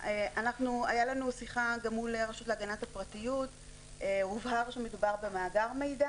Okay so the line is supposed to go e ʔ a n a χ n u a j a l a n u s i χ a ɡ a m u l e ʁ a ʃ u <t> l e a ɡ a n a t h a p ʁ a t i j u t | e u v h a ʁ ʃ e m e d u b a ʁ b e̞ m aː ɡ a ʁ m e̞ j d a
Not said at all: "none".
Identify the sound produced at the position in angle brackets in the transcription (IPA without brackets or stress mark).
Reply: t